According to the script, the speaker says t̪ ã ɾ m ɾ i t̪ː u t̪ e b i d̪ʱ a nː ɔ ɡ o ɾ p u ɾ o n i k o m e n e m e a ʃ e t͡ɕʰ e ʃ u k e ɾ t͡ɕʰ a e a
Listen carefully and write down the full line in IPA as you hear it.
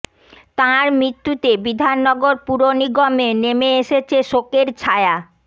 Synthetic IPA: t̪ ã ɾ m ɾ i t̪ː u t̪ e b i d̪ʱ a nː ɔ ɡ o ɾ p u ɾ o n i ɡ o m e n e m e e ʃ e t͡ɕʰ e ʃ o k e ɾ t͡ɕʰ a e a